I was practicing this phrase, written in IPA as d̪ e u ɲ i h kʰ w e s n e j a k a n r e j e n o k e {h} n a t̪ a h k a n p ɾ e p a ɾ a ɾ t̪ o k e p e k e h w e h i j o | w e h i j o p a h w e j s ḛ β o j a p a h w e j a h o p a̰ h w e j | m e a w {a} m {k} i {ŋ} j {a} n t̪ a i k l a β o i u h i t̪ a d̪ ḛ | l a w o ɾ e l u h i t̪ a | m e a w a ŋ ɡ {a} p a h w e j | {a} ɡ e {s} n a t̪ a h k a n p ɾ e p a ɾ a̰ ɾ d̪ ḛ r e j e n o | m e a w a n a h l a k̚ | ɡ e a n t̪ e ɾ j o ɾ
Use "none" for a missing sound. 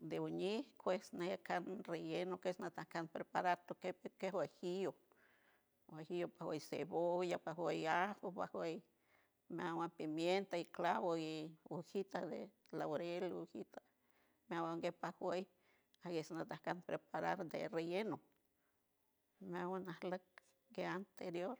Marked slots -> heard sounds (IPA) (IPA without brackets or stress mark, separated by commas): s, a, p, m, e, e, a, s